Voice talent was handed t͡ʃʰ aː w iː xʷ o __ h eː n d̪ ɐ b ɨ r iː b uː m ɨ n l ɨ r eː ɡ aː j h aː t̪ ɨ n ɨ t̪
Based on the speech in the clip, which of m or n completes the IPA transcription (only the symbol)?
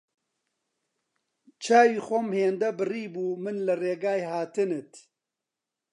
m